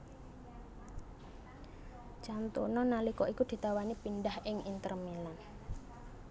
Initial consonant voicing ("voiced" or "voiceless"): voiceless